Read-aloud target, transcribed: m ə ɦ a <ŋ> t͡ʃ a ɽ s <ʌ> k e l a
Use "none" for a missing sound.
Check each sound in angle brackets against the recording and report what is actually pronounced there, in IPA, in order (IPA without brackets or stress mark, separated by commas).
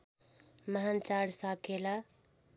n, a